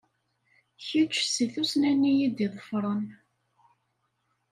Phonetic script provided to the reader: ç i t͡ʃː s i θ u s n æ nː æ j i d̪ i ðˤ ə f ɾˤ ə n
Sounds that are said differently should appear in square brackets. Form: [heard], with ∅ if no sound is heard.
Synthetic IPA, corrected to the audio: ç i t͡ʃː s i θ u s n æ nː [i] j i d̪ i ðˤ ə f ɾˤ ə n